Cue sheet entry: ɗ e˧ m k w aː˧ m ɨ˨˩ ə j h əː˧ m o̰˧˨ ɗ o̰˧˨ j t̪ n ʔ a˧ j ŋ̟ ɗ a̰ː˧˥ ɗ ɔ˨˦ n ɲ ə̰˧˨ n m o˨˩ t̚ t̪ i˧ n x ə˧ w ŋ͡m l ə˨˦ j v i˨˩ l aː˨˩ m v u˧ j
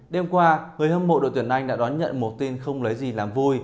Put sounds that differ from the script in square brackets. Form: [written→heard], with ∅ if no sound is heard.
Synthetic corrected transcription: ɗ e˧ m k w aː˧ [m→ŋ] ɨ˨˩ ə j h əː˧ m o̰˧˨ ɗ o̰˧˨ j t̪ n ʔ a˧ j ŋ̟ ɗ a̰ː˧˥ ɗ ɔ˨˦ n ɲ ə̰˧˨ n m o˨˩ t̚ t̪ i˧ n x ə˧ w ŋ͡m l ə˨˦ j [v→z] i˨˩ l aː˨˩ m v u˧ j